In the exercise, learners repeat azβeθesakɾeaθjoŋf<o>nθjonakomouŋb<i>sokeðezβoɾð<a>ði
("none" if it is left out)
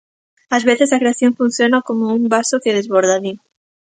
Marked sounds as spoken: u, a, a

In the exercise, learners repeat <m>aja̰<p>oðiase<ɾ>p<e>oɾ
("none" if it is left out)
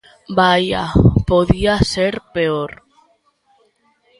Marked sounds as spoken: b, p, ɾ, e

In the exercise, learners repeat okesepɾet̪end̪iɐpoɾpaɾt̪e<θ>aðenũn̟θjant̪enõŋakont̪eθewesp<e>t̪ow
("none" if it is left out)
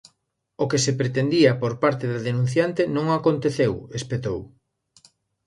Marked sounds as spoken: ð, e

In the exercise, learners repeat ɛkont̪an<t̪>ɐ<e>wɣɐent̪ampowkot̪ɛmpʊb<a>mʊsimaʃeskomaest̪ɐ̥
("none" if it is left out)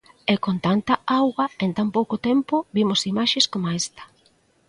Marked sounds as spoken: t̪, a, i

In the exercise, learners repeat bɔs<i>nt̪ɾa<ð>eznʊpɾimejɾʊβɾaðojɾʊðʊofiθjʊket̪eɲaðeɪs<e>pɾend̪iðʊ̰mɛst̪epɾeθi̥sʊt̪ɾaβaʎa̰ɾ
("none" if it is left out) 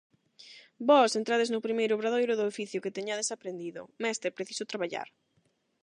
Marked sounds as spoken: e, ð, a

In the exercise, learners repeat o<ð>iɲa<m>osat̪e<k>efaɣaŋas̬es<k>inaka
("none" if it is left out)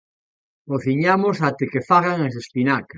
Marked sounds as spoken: θ, m, k, p

